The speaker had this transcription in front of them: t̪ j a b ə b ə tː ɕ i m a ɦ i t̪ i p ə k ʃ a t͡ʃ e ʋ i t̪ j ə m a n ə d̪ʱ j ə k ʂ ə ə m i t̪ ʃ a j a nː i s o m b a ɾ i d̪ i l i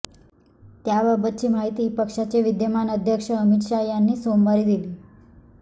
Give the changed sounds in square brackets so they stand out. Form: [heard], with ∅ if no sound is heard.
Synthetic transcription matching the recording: t̪ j a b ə b ə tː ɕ i m a ɦ i t̪ i p ə k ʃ a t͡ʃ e ʋ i [d̪] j ə m a n ə d̪ʱ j ə k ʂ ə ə m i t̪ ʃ a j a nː i s o m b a ɾ i d̪ i l i